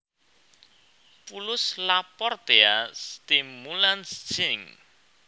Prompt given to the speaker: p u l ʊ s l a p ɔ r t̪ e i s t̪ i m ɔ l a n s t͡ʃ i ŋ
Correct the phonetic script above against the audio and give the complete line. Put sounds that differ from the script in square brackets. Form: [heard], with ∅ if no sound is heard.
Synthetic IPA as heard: p u l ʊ s l a p ɔ r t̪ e [a] s t̪ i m [u] l a n s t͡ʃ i ŋ